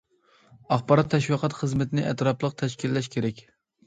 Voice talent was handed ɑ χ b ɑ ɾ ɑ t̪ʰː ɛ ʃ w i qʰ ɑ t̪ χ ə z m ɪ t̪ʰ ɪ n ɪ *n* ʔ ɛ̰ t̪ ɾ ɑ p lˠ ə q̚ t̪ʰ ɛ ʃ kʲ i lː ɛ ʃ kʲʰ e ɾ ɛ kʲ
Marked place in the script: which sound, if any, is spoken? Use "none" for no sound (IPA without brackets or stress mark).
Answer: none